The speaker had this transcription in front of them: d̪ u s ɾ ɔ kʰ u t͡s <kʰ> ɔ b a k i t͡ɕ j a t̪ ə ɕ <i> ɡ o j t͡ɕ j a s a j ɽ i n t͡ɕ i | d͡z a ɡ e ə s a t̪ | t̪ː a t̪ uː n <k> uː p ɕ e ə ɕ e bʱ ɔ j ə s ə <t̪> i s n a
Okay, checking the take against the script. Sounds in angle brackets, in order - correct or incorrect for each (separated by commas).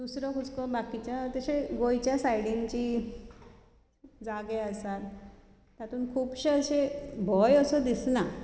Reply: incorrect, incorrect, incorrect, incorrect